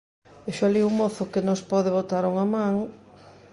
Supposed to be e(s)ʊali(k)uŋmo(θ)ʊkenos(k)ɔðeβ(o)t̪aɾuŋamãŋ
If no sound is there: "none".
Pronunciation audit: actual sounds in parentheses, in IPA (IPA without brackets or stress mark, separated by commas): ʃ, none, θ, p, o